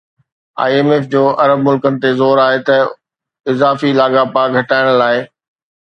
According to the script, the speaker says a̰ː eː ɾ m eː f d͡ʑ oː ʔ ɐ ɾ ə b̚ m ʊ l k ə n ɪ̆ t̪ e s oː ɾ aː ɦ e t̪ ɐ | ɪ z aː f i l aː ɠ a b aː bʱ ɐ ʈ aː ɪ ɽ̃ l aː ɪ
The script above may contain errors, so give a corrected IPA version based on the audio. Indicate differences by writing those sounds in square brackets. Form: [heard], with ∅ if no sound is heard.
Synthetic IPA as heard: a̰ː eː [∅] m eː f d͡ʑ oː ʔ ɐ ɾ ə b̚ m ʊ l k ə n ɪ̆ t̪ e [z] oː ɾ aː ɦ e t̪ ɐ | ɪ z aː f i l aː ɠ a [p] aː [ɡʱ] ɐ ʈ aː ɪ ɽ̃ l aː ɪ